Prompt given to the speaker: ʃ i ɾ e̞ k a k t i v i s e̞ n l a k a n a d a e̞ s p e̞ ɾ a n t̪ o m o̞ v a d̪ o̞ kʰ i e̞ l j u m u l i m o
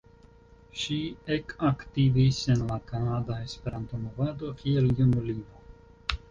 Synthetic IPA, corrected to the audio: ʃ i e̞ k a k t i v i s e̞ n l a k a n a d a e̞ s p e̞ ɾ a n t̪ o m o̞ v a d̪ o̞ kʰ i e̞ l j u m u l i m o